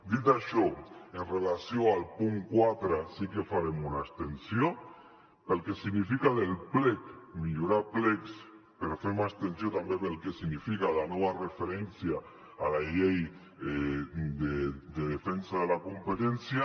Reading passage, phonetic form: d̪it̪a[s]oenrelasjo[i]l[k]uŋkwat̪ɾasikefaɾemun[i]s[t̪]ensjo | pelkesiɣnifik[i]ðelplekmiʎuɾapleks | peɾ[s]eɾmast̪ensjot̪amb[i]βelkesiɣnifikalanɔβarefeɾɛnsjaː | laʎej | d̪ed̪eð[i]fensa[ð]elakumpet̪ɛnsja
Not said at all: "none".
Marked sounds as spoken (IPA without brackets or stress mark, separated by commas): ʃ, a, p, a, t̪, a, f, e, e, ð